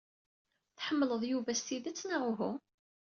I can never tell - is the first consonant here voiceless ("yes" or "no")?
yes